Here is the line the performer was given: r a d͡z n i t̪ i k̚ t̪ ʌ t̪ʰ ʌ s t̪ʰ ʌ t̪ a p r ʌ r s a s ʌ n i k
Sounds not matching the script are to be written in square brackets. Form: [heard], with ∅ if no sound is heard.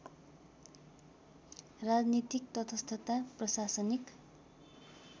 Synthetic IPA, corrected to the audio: r a d͡z n i t̪ i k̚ t̪ ʌ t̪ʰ ʌ s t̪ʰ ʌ t̪ a p r ʌ [∅] s a s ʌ n i k